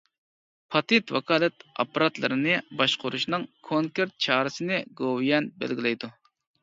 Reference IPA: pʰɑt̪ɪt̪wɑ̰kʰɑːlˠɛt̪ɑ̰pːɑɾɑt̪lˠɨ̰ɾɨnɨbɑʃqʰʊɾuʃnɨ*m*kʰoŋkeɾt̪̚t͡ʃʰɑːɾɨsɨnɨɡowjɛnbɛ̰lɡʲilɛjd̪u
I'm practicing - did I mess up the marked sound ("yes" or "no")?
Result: yes